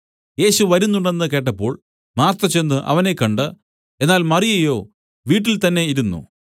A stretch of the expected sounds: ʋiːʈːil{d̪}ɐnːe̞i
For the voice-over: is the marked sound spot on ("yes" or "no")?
no